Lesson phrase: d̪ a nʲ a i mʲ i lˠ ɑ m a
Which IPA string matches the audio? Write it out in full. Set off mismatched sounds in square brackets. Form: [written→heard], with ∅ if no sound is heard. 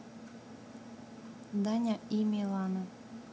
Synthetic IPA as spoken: d̪ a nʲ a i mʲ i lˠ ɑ [m→n] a